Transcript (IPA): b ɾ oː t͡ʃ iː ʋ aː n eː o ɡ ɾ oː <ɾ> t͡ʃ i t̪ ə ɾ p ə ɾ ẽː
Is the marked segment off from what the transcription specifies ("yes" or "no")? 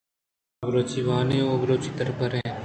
yes